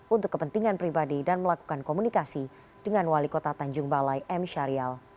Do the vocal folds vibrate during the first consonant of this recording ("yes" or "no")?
yes